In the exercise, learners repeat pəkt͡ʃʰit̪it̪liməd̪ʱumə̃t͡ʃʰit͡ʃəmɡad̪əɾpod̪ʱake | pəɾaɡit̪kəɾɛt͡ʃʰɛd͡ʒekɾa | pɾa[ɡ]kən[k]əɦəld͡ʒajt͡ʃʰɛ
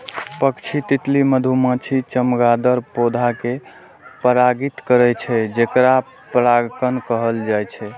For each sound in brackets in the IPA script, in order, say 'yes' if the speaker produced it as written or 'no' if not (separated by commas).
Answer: yes, yes